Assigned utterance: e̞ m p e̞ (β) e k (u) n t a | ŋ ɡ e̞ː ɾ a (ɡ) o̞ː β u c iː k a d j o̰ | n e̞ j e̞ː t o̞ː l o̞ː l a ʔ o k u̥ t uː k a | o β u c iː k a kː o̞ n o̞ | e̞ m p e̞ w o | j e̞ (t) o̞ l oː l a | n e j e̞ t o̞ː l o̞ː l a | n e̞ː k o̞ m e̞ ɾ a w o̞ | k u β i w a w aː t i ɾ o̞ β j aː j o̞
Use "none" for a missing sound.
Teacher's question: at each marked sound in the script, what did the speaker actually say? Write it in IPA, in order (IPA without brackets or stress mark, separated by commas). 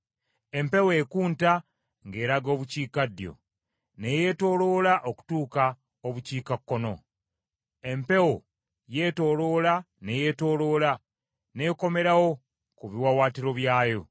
w, uː, ɡ, t